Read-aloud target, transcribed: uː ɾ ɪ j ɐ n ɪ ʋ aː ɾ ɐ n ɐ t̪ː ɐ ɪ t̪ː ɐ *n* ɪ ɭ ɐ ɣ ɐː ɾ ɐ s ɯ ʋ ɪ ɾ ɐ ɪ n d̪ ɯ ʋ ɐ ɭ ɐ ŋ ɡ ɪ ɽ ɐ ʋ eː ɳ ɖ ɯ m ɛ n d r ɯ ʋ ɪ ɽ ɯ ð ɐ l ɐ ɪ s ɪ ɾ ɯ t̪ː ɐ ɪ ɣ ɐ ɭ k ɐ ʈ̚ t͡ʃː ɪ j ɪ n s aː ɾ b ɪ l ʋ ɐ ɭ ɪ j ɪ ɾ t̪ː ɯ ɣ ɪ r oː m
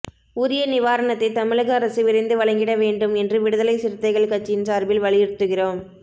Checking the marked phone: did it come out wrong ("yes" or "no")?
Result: yes